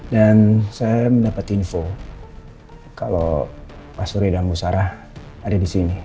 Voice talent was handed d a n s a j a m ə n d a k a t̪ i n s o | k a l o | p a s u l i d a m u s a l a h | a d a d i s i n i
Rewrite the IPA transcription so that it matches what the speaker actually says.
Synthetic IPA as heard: d a n s a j a m ə n d a p a t̪ i n f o | k a l o | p a s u ɾ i d a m u s a ɾ a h | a d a d i s i n i